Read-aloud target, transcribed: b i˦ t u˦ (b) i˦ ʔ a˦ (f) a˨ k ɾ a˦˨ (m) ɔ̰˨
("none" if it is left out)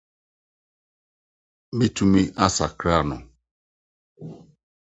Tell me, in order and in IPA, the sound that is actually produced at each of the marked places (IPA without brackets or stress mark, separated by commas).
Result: m, s, n